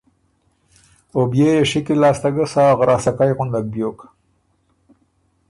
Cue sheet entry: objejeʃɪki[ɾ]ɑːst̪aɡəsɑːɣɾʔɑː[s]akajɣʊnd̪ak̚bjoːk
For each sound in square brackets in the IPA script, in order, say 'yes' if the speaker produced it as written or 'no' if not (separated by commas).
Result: no, yes